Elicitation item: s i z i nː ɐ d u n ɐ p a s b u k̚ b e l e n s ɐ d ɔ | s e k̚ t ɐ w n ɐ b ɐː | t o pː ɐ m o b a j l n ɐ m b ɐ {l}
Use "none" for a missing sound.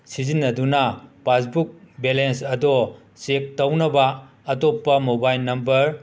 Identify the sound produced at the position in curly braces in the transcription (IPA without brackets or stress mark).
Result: ɾ